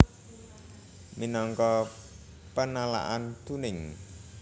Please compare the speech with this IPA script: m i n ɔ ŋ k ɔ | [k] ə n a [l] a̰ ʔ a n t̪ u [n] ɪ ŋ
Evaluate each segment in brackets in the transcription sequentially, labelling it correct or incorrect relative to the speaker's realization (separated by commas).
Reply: incorrect, correct, correct